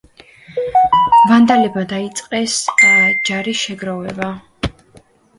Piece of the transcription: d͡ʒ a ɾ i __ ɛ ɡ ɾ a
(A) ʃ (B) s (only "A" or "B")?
A